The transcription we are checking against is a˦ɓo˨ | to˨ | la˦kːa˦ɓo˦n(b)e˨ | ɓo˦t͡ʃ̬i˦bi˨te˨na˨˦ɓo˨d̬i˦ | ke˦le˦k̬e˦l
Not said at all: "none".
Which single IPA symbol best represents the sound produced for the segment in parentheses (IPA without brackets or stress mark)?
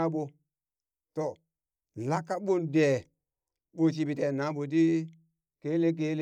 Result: d